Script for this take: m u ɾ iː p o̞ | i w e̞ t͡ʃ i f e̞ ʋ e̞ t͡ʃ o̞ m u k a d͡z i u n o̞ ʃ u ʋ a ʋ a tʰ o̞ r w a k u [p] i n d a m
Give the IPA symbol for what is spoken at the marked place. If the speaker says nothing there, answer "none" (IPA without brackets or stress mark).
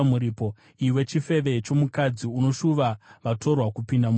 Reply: p